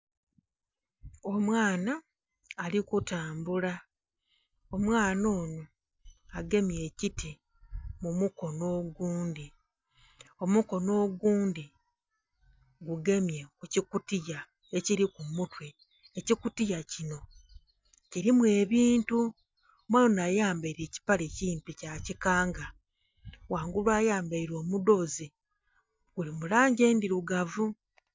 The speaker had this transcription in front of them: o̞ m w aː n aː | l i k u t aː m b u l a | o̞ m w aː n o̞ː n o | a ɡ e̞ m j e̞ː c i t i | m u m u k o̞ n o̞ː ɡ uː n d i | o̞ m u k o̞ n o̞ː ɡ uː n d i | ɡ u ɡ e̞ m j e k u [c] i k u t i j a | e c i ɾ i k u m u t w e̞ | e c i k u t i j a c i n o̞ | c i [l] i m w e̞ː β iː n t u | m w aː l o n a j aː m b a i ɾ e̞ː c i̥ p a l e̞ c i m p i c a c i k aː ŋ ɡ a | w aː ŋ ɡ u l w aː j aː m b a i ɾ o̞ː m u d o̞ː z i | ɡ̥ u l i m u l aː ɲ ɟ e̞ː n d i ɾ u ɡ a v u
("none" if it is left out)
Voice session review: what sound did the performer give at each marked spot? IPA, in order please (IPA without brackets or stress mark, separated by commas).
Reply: c, ɾ